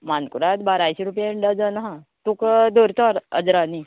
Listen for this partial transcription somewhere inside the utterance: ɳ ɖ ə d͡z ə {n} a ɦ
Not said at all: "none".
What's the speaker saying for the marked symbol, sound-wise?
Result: n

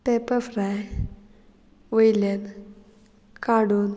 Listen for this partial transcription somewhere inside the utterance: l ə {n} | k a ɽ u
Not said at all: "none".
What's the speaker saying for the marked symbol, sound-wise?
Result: n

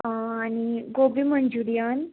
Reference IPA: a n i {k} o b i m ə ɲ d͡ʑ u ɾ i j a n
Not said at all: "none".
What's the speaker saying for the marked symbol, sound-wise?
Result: ɡ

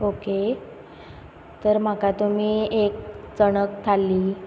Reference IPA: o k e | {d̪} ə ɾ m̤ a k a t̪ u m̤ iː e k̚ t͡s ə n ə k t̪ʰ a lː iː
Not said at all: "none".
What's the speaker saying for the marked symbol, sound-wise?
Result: t̪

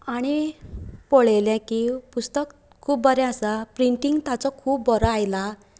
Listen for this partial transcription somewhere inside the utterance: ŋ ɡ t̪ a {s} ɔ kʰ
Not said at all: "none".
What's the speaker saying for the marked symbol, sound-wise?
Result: t͡s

